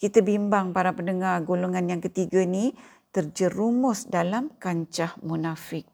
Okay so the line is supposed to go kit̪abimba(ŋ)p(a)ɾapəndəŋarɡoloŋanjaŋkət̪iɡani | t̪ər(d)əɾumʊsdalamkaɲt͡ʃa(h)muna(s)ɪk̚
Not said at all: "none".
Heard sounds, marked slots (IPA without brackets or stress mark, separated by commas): ŋ, a, d͡ʒ, h, f